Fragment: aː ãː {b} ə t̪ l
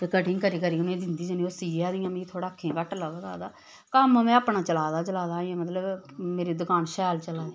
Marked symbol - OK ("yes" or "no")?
no